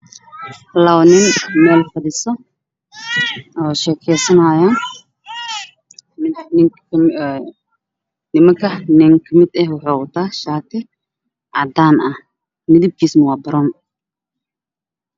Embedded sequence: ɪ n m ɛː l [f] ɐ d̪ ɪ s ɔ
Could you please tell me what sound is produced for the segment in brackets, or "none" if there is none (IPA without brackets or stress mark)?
f